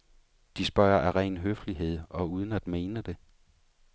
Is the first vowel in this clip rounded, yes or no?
no